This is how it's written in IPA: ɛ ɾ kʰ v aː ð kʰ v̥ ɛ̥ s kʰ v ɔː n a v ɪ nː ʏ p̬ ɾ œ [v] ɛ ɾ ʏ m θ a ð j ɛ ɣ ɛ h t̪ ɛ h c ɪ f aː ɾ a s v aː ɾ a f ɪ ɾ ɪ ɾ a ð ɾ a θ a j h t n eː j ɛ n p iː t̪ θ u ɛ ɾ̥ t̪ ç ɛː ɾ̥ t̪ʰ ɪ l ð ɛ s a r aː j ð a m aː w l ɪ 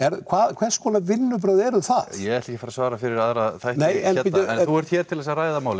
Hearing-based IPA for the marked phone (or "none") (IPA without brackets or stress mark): ð